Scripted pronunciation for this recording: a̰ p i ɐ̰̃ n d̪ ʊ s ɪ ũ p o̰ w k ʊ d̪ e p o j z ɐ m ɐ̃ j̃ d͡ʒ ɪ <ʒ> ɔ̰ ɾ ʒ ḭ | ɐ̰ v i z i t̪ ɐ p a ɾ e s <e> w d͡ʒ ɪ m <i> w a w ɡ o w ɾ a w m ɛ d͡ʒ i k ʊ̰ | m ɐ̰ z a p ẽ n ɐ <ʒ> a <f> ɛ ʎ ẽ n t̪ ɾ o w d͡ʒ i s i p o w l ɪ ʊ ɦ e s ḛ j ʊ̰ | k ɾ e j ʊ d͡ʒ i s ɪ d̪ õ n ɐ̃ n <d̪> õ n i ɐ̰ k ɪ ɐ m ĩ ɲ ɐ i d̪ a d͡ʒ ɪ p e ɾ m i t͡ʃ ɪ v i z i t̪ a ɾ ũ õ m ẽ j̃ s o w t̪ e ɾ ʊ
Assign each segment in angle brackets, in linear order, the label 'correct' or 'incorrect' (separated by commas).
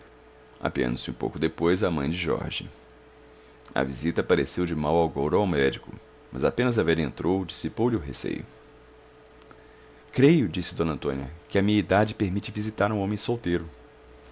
correct, correct, incorrect, incorrect, incorrect, incorrect